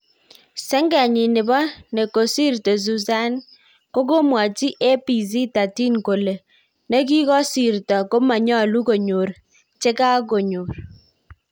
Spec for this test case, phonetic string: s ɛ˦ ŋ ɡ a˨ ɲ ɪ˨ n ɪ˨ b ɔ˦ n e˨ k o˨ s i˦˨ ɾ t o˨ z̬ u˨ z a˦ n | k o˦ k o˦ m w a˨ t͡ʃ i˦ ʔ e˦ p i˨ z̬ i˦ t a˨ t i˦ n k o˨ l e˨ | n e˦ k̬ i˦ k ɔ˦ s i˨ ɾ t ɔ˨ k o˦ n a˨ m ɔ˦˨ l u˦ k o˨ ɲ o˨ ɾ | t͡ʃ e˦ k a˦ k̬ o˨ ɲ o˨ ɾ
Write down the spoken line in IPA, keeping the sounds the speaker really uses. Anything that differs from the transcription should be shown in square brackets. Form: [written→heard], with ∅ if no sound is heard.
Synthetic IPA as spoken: s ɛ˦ ŋ ɡ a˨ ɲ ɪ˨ n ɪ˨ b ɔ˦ n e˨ k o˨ s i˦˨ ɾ t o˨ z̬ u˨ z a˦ n | k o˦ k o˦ m w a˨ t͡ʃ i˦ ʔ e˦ p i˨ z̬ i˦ t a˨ t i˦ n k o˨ l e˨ | n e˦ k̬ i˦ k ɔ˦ s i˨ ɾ t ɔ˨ k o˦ [n→m] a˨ [m→ɲ] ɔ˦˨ l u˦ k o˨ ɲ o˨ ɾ | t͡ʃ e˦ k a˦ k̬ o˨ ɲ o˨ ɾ